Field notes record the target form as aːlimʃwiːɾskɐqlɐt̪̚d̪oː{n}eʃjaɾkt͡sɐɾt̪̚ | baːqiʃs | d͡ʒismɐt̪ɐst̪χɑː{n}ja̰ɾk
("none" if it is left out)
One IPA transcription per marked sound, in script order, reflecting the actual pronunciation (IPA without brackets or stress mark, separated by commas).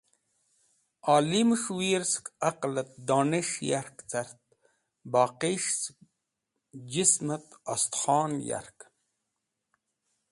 n, n